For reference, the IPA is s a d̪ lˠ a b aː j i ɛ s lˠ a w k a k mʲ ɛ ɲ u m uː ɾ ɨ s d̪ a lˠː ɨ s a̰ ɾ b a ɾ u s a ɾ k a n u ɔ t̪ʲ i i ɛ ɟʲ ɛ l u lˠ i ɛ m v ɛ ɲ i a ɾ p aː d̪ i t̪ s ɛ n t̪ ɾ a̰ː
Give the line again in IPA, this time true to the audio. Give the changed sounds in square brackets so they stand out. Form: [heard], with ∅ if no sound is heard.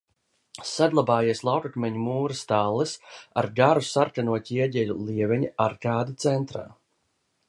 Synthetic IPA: s a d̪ lˠ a b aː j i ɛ s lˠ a w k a k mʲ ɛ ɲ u m uː ɾ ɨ s [t̪] a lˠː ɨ s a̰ ɾ [ɡ] a ɾ u s a ɾ k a n u ɔ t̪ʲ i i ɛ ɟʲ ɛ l u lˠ i ɛ [∅] v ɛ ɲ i a ɾ [k] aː d̪ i t̪ s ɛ n t̪ ɾ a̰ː